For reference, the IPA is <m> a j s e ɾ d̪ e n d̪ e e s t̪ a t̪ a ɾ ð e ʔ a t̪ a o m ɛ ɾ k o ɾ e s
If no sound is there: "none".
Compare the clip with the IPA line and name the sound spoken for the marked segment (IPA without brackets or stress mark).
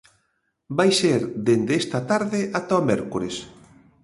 b